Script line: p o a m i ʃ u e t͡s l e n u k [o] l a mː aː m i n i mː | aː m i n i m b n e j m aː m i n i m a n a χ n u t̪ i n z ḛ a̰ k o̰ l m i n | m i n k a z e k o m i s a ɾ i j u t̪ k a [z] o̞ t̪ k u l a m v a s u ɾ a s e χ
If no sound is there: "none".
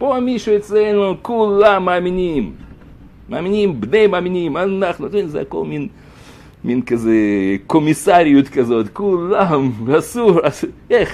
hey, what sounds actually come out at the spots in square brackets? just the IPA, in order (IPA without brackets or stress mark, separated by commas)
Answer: u, z